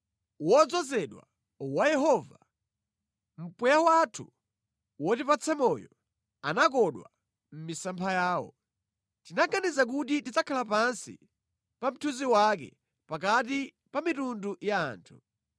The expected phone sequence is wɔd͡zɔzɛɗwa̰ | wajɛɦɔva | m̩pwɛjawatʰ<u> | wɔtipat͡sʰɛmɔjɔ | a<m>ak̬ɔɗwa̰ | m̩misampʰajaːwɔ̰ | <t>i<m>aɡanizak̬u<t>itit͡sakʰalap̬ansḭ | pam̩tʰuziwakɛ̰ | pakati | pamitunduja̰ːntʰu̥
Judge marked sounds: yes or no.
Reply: yes, no, yes, no, yes

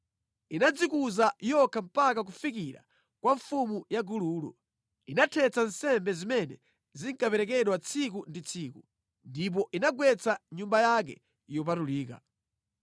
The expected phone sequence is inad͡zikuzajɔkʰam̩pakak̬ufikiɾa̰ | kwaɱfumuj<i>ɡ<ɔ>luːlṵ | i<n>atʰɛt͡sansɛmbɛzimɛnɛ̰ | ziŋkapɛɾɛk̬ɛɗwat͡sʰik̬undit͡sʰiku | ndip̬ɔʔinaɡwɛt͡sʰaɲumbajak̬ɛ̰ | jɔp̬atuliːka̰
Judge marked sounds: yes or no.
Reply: no, no, yes

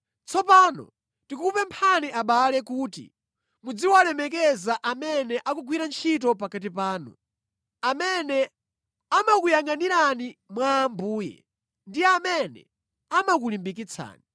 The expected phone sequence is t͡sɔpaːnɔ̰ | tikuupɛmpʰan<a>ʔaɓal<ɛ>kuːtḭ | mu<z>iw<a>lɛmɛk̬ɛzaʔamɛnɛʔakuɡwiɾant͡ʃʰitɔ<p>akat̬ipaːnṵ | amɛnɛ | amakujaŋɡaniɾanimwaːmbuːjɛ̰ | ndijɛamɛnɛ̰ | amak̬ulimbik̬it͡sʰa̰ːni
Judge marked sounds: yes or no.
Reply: no, yes, no, yes, yes

